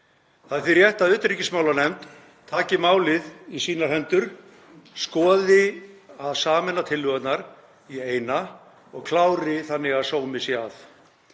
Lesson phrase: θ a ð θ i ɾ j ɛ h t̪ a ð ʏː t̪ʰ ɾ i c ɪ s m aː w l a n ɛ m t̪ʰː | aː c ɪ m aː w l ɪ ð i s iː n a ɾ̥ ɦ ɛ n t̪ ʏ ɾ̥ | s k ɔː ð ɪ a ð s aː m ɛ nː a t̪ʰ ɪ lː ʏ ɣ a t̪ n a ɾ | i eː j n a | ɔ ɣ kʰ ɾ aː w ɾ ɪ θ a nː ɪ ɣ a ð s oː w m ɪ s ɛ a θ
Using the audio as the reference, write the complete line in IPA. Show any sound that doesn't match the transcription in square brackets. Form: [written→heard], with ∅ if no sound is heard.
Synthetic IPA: θ a ð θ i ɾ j ɛ h t̪ a ð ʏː [t̪ʰ→t̪] ɾ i c ɪ s m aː w l a n ɛ m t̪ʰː | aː c ɪ m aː w l ɪ ð i s iː n a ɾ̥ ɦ ɛ n t̪ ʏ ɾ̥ | s k ɔː ð ɪ a ð s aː m ɛ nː a t̪ʰ ɪ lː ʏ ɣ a t̪ n a ɾ | i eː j n a | ɔ ɣ kʰ [ɾ→l] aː w ɾ ɪ θ a nː ɪ ɣ a ð s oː w m ɪ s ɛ a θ